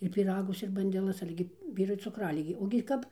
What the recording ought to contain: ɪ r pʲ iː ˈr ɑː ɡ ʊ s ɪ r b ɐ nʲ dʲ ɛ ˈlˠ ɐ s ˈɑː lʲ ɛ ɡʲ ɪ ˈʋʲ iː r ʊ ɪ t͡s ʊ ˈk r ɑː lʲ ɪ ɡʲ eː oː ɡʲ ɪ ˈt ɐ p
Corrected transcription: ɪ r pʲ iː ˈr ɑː ɡ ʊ s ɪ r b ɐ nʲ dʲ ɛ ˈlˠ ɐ s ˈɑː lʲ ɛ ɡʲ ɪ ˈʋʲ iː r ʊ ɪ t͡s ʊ ˈk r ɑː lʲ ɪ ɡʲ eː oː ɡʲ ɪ ˈk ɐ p